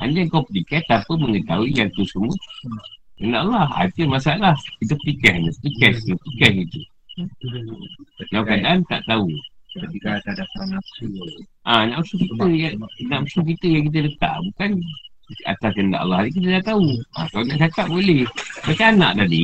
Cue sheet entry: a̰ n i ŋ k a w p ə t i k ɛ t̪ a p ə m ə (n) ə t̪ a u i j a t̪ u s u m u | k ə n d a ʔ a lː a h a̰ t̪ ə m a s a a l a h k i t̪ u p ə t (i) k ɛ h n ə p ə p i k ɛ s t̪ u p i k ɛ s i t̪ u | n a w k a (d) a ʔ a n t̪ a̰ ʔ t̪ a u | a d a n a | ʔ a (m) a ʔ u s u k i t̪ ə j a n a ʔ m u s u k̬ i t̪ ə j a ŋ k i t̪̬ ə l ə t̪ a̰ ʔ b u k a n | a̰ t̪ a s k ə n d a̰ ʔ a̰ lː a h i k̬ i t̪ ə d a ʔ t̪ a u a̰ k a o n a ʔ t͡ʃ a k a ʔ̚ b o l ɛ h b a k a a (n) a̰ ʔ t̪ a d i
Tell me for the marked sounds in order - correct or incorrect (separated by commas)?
incorrect, correct, correct, incorrect, correct